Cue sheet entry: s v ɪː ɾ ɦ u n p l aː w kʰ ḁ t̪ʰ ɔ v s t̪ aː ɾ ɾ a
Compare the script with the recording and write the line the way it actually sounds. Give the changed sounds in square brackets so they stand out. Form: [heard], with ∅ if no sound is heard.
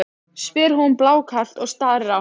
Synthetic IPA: s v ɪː ɾ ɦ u n p l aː w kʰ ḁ [t̪] ɔ [ɣ] s t̪ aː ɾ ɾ a